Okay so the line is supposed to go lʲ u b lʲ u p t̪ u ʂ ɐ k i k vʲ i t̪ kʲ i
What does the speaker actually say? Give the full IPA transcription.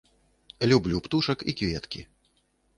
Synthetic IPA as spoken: lʲ u b lʲ u p t̪ u ʂ ɐ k i k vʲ ɛ t̪ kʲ i